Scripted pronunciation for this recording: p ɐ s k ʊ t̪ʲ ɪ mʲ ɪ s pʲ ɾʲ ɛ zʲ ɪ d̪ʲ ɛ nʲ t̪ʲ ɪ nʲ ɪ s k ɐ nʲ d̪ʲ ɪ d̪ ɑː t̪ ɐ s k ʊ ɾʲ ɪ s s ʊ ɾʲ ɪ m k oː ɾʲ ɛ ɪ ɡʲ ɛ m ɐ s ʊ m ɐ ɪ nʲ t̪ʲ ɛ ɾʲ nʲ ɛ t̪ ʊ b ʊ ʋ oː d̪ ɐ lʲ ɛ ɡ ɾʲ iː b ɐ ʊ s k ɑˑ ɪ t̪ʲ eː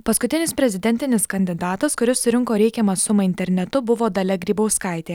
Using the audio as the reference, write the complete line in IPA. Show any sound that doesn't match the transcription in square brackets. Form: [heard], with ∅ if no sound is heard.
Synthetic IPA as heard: p ɐ s k ʊ t̪ʲ ɪ [nʲ] ɪ s pʲ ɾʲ ɛ zʲ ɪ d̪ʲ ɛ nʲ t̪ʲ ɪ nʲ ɪ s k ɐ nʲ d̪ʲ ɪ d̪ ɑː t̪ ɐ s k ʊ ɾʲ ɪ s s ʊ ɾʲ ɪ [ŋ] k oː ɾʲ ɛ ɪ [kʲ] ɛ m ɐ s ʊ m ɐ ɪ nʲ t̪ʲ ɛ ɾʲ nʲ ɛ t̪ ʊ b ʊ ʋ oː d̪ ɐ lʲ ɛ ɡ ɾʲ iː b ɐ ʊ s k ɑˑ ɪ t̪ʲ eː